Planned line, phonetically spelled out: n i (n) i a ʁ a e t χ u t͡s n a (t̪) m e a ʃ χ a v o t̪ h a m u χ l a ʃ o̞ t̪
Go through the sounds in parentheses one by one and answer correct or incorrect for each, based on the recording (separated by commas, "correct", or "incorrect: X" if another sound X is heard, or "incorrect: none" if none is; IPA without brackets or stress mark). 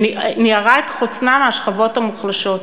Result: correct, incorrect: none